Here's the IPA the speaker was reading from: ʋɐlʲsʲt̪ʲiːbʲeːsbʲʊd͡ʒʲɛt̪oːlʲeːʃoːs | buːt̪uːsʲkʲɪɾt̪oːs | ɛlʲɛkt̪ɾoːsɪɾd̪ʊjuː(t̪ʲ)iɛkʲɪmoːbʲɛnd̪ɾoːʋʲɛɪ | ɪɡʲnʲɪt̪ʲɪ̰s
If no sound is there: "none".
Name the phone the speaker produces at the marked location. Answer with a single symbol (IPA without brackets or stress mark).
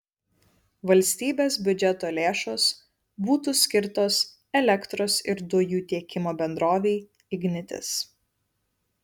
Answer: t̪ʲ